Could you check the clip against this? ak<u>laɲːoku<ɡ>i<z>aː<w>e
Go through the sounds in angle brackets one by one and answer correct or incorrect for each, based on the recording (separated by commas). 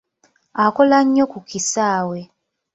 incorrect, incorrect, incorrect, correct